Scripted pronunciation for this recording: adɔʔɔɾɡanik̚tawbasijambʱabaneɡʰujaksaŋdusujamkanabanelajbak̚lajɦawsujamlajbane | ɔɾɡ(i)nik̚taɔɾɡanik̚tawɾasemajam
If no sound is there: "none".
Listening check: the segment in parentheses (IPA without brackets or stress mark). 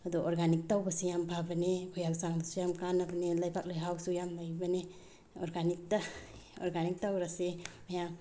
a